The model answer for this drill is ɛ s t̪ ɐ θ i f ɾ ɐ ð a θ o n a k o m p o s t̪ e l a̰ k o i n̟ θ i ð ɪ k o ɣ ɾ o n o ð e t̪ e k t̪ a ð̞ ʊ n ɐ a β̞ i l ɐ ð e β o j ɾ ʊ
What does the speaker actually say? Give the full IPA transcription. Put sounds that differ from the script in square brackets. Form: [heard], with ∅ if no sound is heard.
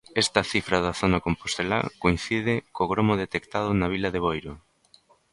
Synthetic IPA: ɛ s t̪ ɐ θ i f ɾ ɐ ð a θ o n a k o m p o s t̪ e l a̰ k o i n̟ θ i ð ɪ k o ɣ ɾ o [m] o ð e t̪ e k t̪ a ð̞ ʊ n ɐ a β̞ i l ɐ ð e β o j ɾ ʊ